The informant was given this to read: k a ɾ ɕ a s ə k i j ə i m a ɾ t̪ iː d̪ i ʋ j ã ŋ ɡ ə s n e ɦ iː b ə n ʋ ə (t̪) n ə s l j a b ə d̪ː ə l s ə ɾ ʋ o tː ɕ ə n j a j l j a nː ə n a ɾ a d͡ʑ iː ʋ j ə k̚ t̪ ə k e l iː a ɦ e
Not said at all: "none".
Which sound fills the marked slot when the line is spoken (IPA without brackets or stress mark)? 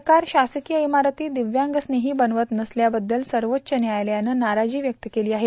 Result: t̪